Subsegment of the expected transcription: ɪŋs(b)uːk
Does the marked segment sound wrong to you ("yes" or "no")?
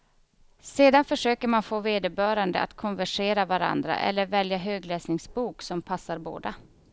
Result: no